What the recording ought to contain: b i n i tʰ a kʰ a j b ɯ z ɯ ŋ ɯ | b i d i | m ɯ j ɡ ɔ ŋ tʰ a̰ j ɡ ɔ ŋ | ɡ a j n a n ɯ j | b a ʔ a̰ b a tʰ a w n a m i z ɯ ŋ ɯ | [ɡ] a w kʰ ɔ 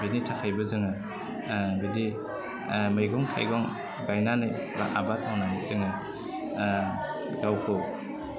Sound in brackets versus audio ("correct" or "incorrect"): correct